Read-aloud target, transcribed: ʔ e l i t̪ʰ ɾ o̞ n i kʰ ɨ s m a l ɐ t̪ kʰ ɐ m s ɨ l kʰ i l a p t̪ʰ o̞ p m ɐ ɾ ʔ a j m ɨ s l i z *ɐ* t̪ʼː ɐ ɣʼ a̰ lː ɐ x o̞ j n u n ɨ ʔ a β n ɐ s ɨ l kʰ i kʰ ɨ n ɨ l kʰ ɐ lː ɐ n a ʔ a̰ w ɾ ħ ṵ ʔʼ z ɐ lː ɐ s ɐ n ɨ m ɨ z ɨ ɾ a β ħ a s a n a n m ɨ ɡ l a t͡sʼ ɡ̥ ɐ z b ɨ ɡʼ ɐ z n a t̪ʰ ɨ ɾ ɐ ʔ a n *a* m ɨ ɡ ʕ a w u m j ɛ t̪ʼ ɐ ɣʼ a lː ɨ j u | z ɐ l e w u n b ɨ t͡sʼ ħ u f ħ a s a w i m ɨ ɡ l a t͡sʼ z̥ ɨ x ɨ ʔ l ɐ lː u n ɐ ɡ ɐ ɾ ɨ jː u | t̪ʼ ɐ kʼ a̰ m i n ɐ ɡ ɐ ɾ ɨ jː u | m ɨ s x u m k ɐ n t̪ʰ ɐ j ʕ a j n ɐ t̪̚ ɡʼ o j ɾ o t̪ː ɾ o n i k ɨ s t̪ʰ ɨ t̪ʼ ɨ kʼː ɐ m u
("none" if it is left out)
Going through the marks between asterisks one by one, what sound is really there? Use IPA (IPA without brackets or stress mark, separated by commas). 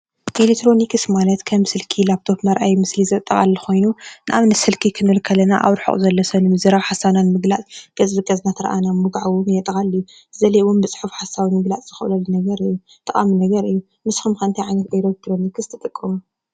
ɐ, a